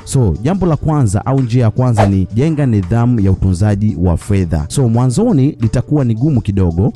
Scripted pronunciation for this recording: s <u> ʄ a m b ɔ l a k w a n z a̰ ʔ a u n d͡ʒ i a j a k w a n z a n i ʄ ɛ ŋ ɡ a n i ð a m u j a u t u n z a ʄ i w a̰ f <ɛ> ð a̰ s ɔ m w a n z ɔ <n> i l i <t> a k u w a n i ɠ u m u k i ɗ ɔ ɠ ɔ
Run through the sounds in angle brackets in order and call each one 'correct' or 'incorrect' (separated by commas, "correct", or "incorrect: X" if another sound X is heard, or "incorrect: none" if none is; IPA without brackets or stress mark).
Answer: incorrect: ɔ, correct, correct, correct